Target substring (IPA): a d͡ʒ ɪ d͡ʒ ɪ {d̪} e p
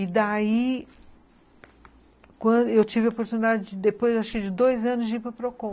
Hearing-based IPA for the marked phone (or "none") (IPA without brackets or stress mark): d̪